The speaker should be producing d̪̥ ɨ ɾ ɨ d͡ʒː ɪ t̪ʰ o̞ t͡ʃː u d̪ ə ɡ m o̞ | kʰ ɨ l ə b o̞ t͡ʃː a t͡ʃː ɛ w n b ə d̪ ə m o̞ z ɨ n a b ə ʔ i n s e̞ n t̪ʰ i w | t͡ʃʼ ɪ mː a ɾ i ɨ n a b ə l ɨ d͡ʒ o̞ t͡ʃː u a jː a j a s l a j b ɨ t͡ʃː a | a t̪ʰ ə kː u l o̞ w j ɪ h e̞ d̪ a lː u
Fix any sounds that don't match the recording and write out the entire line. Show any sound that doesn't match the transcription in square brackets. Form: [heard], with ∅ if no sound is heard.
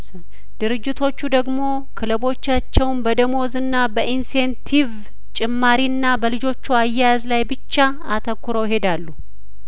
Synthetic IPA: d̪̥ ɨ ɾ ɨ d͡ʒː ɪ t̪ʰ o̞ t͡ʃː u d̪ ə ɡ m o̞ | kʰ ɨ l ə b o̞ t͡ʃː a t͡ʃː ɛ w n b ə d̪ ə m o̞ z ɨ [nː] a b ə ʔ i n s e̞ n t̪ʰ i [v] | t͡ʃʼ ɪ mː a ɾ i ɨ [nː] a b ə l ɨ d͡ʒ o̞ t͡ʃː u a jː a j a [z] l a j b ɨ t͡ʃː a | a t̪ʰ ə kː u [ɾ] o̞ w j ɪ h e̞ d̪ a lː u

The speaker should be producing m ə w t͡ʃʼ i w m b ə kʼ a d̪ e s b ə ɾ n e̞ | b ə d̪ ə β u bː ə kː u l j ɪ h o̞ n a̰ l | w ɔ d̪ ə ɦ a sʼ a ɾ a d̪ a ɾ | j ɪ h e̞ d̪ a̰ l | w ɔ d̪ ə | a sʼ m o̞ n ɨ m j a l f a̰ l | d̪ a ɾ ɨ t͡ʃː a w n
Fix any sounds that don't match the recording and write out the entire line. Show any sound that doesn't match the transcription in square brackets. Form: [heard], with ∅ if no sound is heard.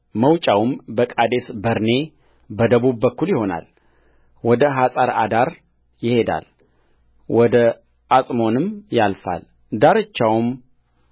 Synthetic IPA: m ə w t͡ʃʼ [a] w m b ə kʼ a d̪ e s b ə ɾ n e̞ | b ə d̪ ə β u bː ə kː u l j ɪ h o̞ n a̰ l | w ɔ d̪ ə ɦ a sʼ a ɾ a d̪ a ɾ | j ɪ h e̞ d̪ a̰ l | w ɔ d̪ ə | a sʼ m o̞ n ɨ m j a l f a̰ l | d̪ a ɾ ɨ t͡ʃː a w [m]

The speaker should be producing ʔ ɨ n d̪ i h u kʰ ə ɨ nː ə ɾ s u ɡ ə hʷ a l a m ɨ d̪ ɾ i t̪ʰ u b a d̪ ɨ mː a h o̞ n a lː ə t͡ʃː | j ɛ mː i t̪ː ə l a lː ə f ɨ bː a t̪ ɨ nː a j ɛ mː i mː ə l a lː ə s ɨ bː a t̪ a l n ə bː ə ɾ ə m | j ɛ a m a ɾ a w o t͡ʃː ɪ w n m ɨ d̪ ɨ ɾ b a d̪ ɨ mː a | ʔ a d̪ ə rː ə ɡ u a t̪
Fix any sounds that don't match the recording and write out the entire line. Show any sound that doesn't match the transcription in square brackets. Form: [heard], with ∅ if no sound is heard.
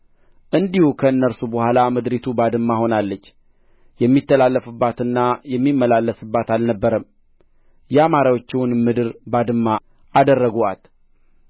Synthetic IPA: ʔ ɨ n d̪ i h u kʰ ə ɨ nː ə ɾ s u [b] ə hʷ a l a m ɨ d̪ ɾ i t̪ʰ u b a d̪ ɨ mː a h o̞ n a lː ə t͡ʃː | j ɛ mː i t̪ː ə l a lː ə f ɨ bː a t̪ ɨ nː a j ɛ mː i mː ə l a lː ə s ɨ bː a t̪ a l n ə bː ə ɾ ə m | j ɛ a m a ɾ a w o t͡ʃː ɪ w n m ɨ d̪ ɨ ɾ b a d̪ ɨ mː a | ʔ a d̪ ə rː ə ɡ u a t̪

